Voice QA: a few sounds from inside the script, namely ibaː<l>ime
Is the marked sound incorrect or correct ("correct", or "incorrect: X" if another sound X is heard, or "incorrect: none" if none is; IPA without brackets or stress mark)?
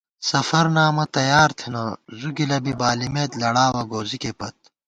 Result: correct